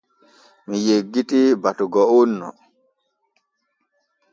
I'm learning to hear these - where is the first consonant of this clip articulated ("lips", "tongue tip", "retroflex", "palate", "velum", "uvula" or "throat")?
lips